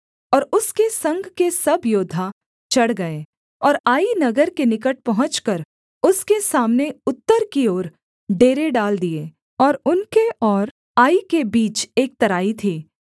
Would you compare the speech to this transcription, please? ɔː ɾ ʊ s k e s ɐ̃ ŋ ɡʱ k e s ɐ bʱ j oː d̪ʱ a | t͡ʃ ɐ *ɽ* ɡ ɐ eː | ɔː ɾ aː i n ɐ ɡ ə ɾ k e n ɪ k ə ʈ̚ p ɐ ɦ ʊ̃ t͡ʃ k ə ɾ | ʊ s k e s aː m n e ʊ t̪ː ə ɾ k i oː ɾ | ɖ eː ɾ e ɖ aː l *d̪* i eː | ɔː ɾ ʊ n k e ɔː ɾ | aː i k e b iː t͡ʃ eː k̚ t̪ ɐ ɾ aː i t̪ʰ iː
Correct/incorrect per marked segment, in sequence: correct, correct

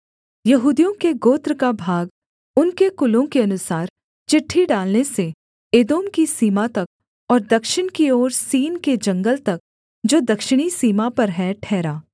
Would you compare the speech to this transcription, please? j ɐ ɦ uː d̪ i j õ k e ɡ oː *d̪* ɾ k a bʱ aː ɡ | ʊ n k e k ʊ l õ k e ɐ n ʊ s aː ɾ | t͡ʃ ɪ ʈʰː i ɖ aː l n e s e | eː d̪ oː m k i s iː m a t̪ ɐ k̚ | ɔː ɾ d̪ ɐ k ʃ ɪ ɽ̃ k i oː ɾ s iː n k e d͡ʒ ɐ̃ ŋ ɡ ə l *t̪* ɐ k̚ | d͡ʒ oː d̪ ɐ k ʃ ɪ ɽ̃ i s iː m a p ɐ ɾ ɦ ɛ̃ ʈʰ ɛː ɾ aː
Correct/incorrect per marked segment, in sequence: incorrect: t̪, correct

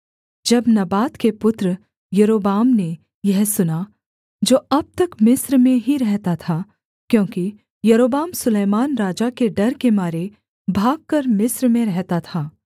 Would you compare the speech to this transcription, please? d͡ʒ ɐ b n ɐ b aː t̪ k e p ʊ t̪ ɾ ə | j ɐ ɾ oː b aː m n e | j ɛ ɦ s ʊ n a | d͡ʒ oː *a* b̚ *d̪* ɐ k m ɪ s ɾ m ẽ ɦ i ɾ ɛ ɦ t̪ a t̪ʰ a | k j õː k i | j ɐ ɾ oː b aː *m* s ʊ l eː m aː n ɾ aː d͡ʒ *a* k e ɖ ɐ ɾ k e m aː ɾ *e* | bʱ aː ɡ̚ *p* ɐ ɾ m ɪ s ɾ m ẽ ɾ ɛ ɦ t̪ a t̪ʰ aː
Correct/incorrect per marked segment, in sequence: incorrect: ɐ, incorrect: t̪, correct, correct, correct, incorrect: k

